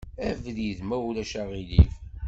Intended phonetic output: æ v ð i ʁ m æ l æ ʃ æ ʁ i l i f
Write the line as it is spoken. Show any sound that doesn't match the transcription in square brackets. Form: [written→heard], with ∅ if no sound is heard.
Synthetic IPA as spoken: æ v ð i [ʁ→ð] m æ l æ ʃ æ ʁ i l i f